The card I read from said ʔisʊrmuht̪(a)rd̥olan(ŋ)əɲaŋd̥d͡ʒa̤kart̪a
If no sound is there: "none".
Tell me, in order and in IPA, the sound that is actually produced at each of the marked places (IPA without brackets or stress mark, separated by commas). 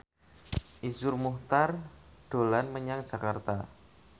a, m